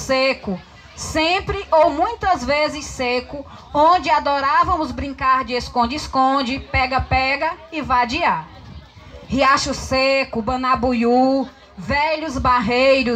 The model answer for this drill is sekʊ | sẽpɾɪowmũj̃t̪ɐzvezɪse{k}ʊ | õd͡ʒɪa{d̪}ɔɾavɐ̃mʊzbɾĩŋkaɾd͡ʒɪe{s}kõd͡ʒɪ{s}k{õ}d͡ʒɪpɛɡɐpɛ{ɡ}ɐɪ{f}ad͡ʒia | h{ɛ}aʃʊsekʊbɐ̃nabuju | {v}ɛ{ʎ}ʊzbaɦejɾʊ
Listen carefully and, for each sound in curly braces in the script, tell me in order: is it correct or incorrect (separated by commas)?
correct, correct, correct, correct, correct, correct, incorrect, incorrect, correct, correct